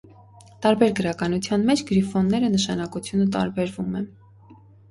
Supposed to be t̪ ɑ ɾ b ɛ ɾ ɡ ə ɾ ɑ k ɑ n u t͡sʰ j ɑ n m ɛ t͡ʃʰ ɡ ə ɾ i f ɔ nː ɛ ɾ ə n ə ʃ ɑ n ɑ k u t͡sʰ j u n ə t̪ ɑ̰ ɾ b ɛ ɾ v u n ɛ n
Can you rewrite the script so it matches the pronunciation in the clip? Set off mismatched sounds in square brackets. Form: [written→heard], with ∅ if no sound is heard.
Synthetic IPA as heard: t̪ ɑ ɾ b ɛ ɾ ɡ ə ɾ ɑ k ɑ n u t͡sʰ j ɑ n m ɛ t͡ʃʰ ɡ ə ɾ i f ɔ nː ɛ ɾ ə n ə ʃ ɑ n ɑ k u t͡sʰ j u n ə t̪ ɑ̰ ɾ b ɛ ɾ v u [n→m] ɛ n